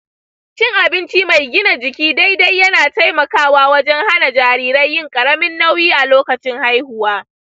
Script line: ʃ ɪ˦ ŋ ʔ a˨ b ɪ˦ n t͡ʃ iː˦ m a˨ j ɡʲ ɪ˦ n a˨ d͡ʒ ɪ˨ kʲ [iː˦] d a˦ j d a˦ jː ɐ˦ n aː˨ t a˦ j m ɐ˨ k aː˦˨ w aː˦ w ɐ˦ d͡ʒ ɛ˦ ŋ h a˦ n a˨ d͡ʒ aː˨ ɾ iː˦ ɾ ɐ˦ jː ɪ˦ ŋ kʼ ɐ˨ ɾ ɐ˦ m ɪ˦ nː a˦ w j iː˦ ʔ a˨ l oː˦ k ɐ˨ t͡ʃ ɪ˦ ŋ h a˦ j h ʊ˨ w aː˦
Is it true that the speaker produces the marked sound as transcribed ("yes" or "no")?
yes